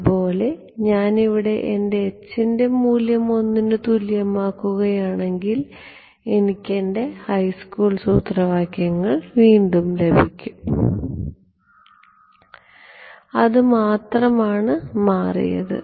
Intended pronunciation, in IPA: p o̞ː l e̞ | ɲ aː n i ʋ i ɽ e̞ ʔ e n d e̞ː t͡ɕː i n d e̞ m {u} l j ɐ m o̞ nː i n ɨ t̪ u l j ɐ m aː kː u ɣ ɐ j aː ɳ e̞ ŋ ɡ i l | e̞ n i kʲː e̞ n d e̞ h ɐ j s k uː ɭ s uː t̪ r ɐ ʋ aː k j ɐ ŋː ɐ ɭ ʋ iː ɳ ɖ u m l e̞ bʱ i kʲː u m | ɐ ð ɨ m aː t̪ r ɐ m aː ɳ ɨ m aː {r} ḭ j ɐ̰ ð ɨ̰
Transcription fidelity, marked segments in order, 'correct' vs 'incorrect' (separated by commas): incorrect, correct